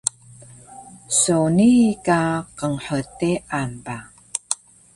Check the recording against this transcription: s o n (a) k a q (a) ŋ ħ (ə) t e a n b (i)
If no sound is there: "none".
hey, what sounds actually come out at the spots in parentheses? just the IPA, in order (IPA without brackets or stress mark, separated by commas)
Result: i, ə, ə, a